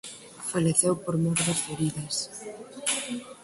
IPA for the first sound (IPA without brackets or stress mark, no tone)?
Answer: f